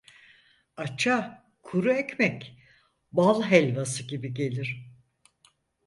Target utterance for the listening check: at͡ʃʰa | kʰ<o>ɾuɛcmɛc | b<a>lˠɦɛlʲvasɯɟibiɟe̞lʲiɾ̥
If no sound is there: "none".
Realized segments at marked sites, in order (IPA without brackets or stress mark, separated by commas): u, a